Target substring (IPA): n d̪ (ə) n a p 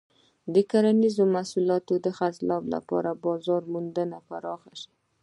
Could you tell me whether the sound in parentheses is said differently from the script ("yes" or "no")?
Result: no